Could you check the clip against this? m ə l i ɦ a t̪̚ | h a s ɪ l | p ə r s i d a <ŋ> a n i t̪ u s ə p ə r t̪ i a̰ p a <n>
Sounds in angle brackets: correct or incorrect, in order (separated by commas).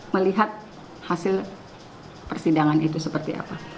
correct, incorrect